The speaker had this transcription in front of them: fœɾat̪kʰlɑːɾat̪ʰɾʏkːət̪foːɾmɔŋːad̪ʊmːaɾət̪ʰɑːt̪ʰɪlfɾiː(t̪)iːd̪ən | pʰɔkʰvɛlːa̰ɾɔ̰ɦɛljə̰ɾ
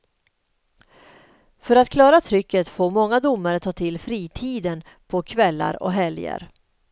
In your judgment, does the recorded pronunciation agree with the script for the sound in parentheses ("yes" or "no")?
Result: no